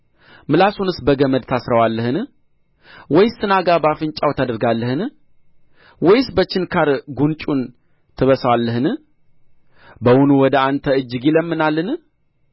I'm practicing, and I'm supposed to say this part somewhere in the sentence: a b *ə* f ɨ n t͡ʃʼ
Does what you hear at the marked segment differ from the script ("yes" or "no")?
yes